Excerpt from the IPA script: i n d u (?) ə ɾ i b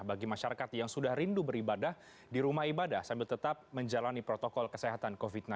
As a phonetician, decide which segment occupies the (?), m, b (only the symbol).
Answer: b